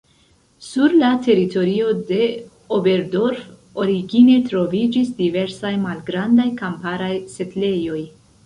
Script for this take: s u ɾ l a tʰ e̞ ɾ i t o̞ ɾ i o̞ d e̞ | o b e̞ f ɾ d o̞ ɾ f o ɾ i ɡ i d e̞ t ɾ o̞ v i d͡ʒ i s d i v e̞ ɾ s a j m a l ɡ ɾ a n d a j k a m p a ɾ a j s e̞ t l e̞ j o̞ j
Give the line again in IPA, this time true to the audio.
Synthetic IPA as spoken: s u ɾ l a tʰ e̞ ɾ i t o̞ ɾ i o̞ d e̞ | o b e̞ ɾ d o̞ ɾ f o ɾ i ɡ i n e̞ t ɾ o̞ v i d͡ʒ i s d i v e̞ ɾ s a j m a l ɡ ɾ a n d a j k a m p a ɾ a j s e̞ t l e̞ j o̞ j